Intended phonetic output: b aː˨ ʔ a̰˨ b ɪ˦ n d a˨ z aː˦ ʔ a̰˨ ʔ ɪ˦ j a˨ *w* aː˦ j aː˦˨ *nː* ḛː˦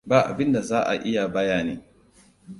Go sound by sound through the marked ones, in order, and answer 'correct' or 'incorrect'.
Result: incorrect: b, incorrect: n

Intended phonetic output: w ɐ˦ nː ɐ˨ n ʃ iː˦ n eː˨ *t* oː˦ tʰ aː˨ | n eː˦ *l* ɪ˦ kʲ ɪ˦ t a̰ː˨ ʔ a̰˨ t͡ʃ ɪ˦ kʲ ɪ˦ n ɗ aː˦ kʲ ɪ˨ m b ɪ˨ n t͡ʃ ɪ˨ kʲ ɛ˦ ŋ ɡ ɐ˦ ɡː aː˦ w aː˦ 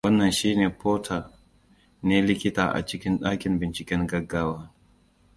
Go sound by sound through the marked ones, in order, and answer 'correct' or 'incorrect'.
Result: incorrect: p, correct

